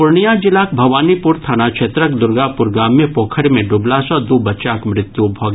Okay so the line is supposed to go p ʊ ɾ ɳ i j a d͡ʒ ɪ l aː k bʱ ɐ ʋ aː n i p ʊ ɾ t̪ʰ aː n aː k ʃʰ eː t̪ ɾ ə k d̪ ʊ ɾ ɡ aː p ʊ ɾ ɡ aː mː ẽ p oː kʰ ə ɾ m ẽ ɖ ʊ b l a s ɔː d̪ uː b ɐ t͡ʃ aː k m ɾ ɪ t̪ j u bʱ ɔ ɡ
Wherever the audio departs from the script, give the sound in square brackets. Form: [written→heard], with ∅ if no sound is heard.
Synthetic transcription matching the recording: p ʊ ɾ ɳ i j a d͡ʒ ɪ l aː k bʱ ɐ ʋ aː n i p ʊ ɾ t̪ʰ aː n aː k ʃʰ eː t̪ ɾ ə k d̪ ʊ ɾ ɡ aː p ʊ ɾ ɡ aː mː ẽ p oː kʰ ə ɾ m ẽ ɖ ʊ b l a s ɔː d̪ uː b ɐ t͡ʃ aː k m ɾ ɪ t̪ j u bʱ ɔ ɡ